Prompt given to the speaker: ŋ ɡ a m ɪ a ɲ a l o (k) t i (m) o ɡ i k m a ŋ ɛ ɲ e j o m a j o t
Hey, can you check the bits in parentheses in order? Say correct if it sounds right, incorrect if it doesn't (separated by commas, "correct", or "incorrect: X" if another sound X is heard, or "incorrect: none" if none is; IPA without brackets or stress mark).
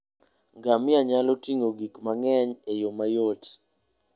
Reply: incorrect: none, incorrect: ŋ